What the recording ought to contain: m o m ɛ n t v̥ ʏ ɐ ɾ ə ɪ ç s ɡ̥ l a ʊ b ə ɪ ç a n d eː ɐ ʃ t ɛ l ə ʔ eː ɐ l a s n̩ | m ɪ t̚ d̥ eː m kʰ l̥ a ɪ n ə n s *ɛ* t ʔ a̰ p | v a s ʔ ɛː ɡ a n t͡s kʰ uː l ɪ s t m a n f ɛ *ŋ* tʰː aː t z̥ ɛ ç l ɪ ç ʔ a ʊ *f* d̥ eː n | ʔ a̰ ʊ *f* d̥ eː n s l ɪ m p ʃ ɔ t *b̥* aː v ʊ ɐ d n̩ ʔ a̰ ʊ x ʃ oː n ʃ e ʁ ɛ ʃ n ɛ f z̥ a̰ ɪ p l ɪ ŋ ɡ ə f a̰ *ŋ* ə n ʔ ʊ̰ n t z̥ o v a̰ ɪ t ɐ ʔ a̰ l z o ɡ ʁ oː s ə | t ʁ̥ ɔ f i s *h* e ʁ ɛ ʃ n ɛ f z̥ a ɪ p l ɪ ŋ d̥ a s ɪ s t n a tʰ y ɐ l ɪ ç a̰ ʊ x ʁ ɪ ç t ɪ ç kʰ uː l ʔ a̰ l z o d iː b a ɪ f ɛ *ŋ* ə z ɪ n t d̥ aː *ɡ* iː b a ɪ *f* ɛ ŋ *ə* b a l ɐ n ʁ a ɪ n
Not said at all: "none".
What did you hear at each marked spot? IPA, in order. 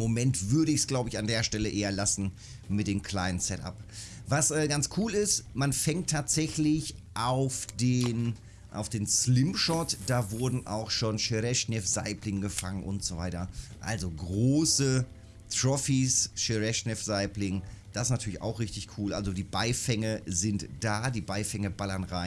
ɛ, ŋ, f, f, d̥, ŋ, ʃ, ŋ, d, f, ə

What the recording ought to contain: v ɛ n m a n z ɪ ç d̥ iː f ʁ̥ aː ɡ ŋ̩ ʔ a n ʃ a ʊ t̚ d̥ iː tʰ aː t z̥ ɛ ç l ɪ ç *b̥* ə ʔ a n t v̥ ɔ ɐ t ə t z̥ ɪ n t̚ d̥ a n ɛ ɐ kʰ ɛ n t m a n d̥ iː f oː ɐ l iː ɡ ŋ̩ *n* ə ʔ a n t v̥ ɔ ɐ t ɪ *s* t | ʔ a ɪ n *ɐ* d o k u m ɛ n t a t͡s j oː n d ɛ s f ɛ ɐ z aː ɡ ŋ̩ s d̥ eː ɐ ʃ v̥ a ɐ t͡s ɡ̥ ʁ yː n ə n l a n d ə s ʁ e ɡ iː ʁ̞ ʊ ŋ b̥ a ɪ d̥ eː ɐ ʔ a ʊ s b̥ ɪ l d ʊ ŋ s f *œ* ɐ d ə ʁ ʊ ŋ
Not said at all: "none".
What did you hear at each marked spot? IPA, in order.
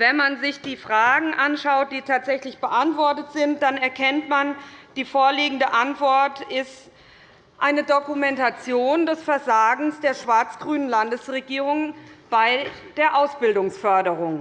b̥, d, s, ə, œ

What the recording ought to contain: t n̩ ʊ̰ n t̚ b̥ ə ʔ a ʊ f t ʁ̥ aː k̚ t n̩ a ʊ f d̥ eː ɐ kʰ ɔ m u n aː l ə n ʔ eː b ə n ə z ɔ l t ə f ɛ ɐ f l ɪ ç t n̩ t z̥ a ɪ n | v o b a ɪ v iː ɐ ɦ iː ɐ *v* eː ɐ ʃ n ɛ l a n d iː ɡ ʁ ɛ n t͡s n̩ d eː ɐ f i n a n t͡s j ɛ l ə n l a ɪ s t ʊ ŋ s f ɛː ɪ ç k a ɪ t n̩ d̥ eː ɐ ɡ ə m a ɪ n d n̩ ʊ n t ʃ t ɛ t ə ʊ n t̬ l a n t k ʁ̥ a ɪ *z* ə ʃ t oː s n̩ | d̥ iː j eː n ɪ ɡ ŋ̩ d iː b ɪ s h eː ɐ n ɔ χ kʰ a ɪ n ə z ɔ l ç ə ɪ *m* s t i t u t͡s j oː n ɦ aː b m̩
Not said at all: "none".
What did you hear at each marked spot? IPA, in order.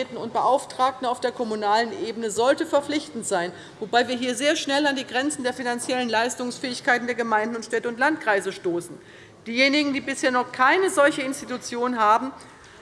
z, z, n

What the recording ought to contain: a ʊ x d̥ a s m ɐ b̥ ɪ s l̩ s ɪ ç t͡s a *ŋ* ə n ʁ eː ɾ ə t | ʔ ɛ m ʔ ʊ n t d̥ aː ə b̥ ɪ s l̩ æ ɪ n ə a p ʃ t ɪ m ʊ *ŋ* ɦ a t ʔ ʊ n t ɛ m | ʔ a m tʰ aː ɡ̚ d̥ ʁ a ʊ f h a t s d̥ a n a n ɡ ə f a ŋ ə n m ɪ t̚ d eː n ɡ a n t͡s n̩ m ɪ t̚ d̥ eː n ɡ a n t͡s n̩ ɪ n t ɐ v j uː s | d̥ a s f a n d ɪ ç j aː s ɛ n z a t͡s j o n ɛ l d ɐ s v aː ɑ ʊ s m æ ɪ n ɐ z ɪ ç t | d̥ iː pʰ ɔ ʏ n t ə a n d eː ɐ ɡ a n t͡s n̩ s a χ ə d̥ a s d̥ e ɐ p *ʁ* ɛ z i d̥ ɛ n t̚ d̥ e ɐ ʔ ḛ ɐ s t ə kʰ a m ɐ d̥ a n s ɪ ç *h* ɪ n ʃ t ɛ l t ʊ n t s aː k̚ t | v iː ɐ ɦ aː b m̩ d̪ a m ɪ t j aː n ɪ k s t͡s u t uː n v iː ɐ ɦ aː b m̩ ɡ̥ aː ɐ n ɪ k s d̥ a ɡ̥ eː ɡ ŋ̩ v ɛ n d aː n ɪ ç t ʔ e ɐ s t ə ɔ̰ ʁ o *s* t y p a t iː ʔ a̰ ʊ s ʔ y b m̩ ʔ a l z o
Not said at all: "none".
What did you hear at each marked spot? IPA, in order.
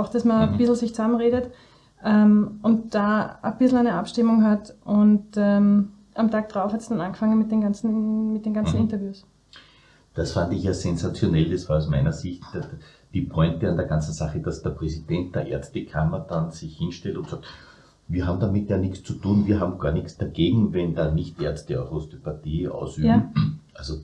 m, ŋ, ʁ, h, s

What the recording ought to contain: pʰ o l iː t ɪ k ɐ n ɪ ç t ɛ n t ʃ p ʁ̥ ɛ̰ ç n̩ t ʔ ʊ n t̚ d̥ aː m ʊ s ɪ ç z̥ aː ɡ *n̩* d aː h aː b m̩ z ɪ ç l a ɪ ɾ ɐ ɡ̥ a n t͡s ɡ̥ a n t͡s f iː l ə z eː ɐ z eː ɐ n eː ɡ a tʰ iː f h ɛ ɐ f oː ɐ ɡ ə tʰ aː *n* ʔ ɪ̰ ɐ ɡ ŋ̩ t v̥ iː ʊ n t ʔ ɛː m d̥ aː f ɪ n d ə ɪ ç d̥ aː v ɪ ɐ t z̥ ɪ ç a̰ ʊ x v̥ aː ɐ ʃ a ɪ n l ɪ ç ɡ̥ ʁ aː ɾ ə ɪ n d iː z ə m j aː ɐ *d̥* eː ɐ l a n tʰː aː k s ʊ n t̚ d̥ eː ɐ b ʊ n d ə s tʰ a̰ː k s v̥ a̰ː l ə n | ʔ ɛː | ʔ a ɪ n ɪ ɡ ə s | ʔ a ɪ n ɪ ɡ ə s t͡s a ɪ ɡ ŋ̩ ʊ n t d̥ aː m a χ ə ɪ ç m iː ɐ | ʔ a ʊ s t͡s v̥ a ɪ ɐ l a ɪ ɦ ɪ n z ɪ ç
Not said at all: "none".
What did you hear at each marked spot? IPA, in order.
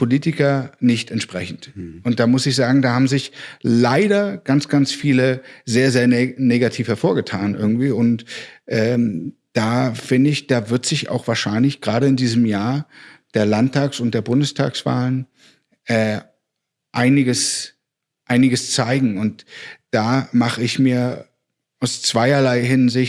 ŋ̩, n, d̥

